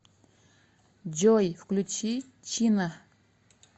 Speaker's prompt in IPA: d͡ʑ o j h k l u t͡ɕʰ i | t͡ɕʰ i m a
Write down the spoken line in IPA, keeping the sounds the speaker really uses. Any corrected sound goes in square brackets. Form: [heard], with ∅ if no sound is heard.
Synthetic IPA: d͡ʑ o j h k l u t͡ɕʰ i | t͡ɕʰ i [n] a